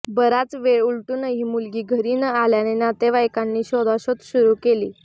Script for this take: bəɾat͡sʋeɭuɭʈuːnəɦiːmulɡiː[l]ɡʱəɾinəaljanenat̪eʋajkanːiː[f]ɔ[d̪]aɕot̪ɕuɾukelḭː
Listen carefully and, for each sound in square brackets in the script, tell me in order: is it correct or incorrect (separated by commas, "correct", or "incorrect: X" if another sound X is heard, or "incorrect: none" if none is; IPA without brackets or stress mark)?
incorrect: none, incorrect: ɕ, correct